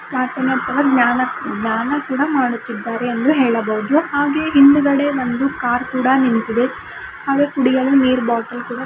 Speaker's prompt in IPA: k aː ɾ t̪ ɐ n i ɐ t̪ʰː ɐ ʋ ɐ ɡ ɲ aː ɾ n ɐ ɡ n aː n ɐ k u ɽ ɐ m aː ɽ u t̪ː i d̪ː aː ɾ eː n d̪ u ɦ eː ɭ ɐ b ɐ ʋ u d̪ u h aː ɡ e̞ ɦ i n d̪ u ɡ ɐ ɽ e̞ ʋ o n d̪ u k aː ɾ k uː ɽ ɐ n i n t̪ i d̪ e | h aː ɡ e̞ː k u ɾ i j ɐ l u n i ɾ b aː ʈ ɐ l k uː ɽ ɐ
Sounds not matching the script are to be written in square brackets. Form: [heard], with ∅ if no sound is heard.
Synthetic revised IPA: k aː ɾ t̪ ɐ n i ɐ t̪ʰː ɐ ʋ ɐ ɡ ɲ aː [∅] n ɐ ɡ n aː n ɐ k [uː] ɽ ɐ m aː ɽ u t̪ː i d̪ː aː ɾ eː n d̪ u ɦ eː ɭ ɐ b ɐ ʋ u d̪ u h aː ɡ e̞ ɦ i n d̪ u ɡ ɐ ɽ e̞ ʋ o n d̪ u k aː ɾ k uː ɽ ɐ n i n t̪ i d̪ e | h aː ɡ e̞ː k u [ɽ] i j ɐ l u n [iː] ɾ b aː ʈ ɐ l k uː ɽ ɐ